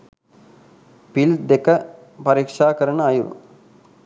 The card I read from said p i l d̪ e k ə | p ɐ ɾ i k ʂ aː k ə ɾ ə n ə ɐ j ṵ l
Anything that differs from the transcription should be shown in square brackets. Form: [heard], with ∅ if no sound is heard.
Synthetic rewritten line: p i l d̪ e k ə | p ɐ ɾ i k ʂ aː k ə ɾ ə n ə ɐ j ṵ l